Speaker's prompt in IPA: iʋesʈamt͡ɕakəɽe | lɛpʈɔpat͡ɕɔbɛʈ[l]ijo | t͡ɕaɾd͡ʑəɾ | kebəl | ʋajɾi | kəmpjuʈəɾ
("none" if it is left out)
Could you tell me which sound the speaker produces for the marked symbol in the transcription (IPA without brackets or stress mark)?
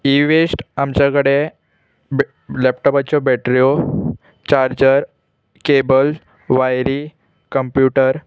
ɾ